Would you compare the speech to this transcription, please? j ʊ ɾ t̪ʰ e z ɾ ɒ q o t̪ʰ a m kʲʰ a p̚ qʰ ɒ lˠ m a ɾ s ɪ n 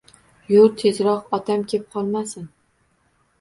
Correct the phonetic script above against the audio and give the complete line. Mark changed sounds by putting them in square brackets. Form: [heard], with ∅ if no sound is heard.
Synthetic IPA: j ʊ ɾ t̪ʰ e z ɾ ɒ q [ɒ] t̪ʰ a m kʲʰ [e] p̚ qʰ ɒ lˠ m a [∅] s ɪ n